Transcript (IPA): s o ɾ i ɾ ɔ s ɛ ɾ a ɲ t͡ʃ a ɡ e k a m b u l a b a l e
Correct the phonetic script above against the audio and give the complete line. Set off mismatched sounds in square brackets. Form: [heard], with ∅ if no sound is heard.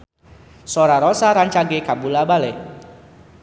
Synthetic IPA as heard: s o ɾ [a] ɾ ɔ s [a] ɾ a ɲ t͡ʃ a ɡ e k a m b u l a b a l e